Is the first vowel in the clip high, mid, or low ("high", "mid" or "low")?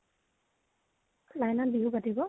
low